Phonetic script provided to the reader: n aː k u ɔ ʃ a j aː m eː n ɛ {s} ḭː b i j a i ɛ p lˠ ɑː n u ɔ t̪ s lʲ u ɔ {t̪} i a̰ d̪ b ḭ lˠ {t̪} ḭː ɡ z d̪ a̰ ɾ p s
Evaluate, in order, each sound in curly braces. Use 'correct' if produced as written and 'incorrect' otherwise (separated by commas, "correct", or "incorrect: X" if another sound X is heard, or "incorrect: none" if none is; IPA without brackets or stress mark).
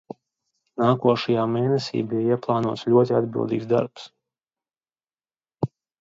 correct, correct, incorrect: d̪